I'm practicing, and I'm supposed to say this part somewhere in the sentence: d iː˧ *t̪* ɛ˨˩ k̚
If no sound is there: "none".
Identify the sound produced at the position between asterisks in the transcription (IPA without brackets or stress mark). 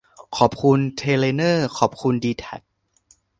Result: t̪ʰ